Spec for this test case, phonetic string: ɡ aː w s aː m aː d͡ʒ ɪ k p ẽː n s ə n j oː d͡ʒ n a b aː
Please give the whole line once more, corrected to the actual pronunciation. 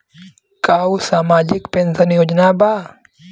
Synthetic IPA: k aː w s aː m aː d͡ʒ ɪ k p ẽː n s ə n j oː d͡ʒ n a b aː

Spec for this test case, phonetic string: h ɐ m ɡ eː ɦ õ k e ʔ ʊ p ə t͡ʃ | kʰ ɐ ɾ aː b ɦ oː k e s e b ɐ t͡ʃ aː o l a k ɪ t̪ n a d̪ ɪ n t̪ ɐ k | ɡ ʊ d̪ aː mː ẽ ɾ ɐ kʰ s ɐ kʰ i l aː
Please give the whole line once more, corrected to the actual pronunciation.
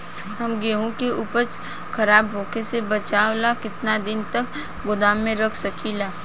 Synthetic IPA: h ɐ m ɡ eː ɦ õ k e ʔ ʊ p ə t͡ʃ | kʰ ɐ ɾ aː b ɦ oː k e s e b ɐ t͡ʃ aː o l a k ɪ t̪ n a d̪ ɪ n t̪ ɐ k | ɡ ʊ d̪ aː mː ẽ ɾ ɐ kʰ s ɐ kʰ i l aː

